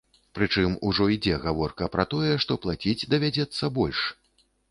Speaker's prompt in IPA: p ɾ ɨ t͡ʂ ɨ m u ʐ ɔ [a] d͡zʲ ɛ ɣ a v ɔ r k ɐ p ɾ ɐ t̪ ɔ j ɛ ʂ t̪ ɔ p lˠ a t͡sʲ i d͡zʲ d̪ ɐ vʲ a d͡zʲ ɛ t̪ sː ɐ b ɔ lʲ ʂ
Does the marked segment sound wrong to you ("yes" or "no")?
yes